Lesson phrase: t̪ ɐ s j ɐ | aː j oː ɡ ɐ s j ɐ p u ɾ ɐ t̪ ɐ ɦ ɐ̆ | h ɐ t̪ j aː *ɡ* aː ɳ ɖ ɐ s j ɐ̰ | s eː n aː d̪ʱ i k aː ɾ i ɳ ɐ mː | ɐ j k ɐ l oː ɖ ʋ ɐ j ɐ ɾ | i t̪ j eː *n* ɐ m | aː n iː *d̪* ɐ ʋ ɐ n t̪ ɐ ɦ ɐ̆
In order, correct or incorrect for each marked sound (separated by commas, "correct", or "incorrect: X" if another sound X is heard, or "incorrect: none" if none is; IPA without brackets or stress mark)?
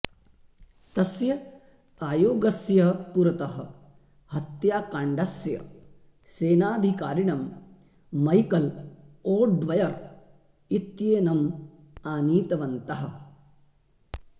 incorrect: k, correct, incorrect: t̪